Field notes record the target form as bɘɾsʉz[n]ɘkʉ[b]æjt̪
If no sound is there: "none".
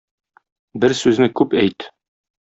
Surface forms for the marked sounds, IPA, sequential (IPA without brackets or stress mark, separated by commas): n, p